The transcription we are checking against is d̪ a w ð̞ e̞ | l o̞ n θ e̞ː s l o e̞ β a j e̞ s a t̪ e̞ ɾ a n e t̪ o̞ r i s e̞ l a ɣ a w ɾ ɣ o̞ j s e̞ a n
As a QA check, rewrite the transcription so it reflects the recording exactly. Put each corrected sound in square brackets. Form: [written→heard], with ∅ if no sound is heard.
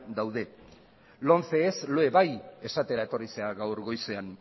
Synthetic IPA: d̪ a w ð̞ e̞ | l o̞ n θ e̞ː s l o e̞ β a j e̞ s a t̪ e̞ ɾ a [n→∅] e t̪ o̞ r i s e̞ [l→∅] a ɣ a w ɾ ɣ o̞ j s e̞ a n